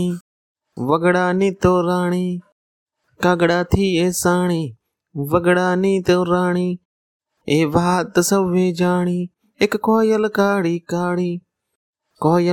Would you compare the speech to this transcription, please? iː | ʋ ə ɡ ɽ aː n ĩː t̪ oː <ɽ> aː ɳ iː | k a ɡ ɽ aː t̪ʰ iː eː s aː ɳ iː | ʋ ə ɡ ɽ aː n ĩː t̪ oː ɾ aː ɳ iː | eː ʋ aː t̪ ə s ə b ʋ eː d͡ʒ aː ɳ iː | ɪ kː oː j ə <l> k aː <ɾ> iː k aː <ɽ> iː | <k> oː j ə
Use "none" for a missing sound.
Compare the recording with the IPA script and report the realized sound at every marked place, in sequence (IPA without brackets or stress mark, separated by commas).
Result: ɾ, l, ɽ, ɽ, k